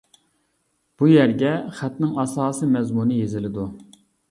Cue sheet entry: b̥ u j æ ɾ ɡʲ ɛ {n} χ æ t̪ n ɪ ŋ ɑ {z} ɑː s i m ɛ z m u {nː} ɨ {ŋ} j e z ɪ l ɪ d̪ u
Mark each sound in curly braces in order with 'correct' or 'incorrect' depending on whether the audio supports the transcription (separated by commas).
incorrect, incorrect, incorrect, incorrect